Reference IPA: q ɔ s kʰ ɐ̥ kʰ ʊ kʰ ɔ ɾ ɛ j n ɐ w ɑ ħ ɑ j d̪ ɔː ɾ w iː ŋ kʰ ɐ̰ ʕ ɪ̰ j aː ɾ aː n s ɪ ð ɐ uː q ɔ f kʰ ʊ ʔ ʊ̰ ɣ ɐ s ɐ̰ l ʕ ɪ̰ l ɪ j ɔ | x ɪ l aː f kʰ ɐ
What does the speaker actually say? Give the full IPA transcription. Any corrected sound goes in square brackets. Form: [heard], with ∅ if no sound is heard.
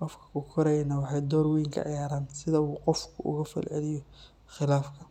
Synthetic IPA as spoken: q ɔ [f] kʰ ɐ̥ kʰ ʊ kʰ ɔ ɾ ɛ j n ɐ w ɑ ħ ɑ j d̪ ɔː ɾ w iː ŋ kʰ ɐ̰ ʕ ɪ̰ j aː ɾ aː n s ɪ ð ɐ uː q ɔ f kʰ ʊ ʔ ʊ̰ ɣ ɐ [f] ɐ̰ l ʕ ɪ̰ l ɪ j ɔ | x ɪ l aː f kʰ ɐ